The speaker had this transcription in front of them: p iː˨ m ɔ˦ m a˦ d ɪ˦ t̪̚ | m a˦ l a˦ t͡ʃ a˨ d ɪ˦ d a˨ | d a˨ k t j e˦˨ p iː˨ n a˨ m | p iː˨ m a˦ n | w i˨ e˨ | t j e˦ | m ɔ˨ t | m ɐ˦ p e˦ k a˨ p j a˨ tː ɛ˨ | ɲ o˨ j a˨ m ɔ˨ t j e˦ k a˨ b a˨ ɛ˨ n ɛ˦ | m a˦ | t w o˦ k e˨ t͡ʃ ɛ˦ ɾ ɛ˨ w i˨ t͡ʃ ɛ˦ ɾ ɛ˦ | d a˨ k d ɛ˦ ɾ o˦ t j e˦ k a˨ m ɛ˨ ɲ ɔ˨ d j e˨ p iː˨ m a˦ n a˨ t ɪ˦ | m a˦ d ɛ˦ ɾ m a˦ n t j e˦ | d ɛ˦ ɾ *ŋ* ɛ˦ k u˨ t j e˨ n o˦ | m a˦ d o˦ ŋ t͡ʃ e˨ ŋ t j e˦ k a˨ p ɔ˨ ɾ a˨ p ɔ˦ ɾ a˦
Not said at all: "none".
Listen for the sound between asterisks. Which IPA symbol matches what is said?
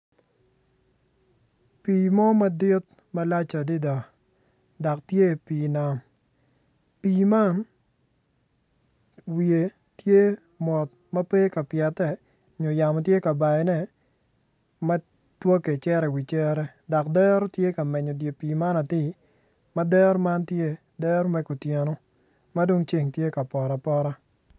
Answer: m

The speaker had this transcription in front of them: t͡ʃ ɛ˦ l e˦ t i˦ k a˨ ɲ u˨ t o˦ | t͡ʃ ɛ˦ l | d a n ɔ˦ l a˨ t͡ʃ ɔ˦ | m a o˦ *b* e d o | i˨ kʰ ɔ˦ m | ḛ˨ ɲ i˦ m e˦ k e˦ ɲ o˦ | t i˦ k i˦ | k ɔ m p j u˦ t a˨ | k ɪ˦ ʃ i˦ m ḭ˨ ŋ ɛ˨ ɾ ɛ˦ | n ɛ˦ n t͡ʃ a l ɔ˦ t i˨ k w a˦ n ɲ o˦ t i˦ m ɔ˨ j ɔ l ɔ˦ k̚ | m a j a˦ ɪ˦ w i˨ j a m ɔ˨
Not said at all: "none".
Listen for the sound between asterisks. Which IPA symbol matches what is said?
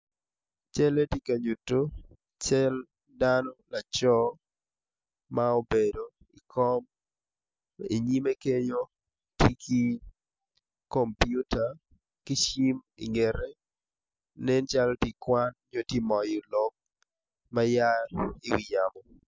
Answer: b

